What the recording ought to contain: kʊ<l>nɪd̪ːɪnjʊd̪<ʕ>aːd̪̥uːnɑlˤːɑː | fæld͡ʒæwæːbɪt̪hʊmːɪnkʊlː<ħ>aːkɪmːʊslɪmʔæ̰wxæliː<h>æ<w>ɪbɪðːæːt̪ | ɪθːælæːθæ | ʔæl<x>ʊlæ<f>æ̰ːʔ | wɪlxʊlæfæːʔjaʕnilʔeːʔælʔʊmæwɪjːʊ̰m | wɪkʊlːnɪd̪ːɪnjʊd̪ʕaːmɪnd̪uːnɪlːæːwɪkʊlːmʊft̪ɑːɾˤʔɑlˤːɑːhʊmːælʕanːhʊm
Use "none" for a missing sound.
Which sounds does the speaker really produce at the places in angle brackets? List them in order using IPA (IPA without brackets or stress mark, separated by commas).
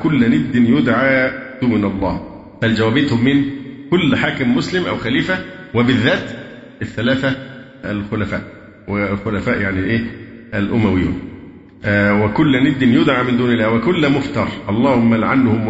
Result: lː, ʕ, ħ, f, w, x, f